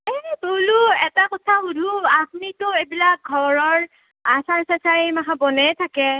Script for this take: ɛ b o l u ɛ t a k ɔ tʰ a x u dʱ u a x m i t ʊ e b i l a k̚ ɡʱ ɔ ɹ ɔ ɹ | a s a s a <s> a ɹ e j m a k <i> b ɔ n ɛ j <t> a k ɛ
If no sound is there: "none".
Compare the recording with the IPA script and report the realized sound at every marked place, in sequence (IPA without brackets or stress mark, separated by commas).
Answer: s, a, tʰ